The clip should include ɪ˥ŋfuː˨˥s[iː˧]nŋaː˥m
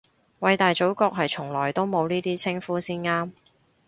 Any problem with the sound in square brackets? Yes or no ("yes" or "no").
yes